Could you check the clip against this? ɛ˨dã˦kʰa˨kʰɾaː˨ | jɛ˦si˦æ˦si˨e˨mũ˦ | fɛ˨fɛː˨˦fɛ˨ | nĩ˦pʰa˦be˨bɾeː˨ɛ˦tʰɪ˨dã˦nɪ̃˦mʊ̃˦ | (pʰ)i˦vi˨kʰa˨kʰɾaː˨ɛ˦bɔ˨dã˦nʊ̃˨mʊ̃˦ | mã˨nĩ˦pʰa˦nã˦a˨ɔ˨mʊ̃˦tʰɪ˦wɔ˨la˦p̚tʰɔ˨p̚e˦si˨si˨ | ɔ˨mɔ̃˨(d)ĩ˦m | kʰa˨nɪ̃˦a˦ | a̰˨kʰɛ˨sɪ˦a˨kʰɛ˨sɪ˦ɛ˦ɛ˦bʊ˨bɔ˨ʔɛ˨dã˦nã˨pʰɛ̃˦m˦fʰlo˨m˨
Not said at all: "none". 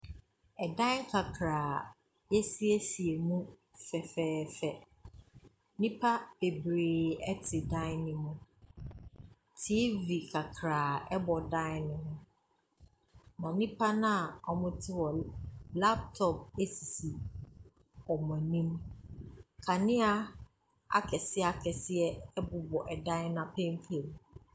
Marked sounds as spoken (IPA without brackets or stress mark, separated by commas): tʰ, n